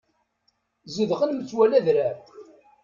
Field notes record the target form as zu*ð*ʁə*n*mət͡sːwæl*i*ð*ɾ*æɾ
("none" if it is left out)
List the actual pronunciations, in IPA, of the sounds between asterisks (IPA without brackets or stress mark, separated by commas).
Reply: ð, n, æ, ɾ